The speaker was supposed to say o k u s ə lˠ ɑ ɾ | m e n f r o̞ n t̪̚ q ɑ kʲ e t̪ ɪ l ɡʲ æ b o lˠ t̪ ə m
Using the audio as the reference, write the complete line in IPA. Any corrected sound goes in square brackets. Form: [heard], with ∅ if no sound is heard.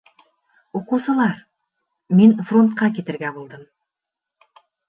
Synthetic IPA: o [q] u s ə lˠ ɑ ɾ | m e n f r o̞ n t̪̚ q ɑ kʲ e t̪ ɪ [ɾ] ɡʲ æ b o lˠ [d̪] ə m